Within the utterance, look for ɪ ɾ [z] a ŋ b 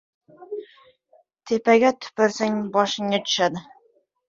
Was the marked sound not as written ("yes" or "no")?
yes